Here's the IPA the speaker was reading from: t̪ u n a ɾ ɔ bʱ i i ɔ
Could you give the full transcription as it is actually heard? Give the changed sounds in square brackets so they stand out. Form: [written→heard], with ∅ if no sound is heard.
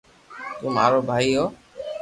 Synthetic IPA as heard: t̪ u [n→m] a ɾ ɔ bʱ [i→a] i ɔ

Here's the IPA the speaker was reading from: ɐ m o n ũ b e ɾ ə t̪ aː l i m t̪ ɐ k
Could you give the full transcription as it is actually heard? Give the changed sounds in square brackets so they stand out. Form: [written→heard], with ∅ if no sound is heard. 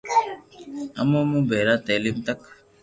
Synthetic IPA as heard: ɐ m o [n→m] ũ b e ɾ [ə→a] t̪ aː l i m t̪ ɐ k

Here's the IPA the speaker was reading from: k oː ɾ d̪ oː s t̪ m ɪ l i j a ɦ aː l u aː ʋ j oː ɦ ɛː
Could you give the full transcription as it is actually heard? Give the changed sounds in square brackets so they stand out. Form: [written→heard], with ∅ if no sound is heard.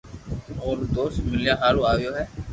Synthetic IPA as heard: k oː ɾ d̪ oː s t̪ m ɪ l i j a ɦ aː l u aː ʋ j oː ɦ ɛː

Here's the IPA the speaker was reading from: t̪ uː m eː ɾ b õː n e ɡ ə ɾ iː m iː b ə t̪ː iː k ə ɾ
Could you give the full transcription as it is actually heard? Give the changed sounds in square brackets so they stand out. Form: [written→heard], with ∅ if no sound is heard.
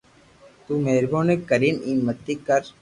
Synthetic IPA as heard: t̪ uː m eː ɾ b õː n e [ɡ→k] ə ɾ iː [m→n] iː [b→m] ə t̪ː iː k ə ɾ

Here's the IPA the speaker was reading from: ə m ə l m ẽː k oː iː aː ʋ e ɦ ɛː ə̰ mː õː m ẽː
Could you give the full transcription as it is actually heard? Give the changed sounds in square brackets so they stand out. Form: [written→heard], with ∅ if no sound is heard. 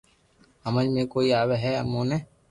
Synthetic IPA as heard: ə m ə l m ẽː k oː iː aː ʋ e ɦ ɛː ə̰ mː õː [m→n] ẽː

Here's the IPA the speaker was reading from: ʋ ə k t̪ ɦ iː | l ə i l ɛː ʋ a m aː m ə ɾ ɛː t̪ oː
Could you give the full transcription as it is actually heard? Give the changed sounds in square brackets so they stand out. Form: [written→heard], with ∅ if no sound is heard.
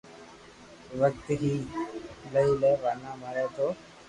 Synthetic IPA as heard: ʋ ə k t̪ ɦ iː | l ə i l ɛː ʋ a [m→n] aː m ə ɾ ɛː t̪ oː

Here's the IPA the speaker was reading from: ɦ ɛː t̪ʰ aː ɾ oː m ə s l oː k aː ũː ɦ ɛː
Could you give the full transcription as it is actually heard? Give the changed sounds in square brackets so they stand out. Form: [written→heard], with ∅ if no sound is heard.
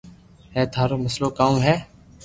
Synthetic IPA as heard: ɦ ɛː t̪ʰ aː ɾ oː m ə s l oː k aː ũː ɦ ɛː

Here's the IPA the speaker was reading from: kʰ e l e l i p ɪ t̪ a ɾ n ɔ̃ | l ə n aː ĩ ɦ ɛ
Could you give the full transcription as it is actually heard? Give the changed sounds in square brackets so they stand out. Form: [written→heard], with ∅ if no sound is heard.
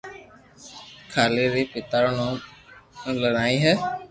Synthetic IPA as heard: kʰ [e→a] l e [l→ɾ] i p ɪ t̪ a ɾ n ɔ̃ | l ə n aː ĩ ɦ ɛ

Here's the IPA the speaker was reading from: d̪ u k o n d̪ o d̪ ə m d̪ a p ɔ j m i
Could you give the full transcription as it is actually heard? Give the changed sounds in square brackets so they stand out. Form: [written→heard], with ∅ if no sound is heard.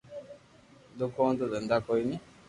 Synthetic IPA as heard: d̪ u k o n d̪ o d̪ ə [m→n] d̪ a [p→k] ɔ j [m→n] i

